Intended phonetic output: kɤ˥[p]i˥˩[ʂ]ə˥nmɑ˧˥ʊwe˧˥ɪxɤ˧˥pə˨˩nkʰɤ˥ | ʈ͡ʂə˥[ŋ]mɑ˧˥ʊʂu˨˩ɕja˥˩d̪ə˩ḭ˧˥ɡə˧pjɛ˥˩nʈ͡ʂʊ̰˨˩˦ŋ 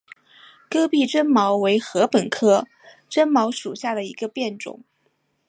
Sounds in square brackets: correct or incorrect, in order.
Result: correct, incorrect, incorrect

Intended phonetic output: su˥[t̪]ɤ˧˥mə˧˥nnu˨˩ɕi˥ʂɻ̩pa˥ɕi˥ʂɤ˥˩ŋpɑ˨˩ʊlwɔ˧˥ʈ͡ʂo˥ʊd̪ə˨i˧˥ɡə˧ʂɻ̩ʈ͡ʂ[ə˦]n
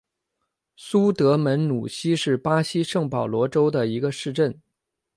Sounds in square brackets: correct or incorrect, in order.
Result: correct, incorrect

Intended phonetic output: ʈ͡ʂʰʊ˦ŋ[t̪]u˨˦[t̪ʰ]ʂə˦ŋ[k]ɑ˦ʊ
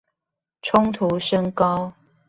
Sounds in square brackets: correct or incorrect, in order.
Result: incorrect, incorrect, correct

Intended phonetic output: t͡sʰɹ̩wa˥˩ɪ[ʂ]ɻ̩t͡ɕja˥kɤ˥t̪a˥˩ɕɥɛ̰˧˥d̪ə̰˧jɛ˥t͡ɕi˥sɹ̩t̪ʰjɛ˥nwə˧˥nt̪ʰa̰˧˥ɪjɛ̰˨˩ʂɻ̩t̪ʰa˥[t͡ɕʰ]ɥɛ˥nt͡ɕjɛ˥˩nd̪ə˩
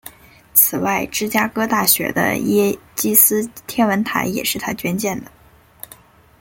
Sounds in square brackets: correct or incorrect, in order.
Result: incorrect, incorrect

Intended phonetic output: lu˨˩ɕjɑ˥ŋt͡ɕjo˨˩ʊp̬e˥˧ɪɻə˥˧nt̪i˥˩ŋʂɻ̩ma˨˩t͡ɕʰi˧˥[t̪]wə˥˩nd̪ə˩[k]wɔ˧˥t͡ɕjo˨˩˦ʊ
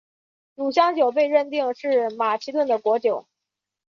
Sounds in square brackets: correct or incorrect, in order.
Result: correct, correct

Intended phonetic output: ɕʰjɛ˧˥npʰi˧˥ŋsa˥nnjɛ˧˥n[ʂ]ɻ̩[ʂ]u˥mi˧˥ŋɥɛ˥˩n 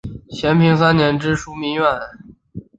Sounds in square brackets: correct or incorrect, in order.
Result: incorrect, correct

